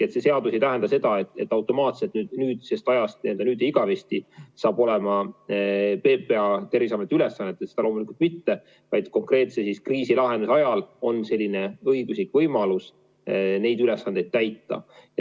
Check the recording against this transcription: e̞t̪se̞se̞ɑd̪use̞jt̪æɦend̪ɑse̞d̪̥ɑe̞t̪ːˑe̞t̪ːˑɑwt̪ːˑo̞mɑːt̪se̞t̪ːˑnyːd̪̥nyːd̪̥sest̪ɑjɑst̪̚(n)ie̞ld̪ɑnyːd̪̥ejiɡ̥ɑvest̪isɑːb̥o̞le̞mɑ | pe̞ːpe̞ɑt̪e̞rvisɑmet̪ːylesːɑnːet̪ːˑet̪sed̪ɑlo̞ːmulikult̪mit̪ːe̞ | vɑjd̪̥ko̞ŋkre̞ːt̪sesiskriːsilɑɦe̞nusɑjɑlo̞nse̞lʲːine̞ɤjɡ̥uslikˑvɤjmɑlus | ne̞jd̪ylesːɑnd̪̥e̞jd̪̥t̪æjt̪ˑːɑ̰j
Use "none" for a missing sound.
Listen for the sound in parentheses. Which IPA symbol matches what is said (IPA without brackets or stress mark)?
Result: n